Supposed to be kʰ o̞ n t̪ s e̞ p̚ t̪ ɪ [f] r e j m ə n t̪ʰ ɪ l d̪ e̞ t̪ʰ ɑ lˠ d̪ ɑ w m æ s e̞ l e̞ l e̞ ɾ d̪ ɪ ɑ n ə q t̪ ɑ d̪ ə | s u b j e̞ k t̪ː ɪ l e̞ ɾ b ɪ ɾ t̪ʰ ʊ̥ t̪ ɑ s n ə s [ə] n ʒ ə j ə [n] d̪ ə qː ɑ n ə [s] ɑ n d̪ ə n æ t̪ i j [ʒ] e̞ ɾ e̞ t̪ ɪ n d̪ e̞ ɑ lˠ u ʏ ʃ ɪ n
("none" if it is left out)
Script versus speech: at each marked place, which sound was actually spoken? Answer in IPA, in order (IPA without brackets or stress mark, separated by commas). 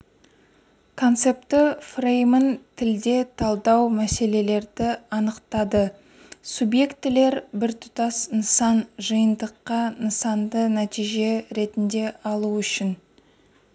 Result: f, ɑ, n, s, ʒ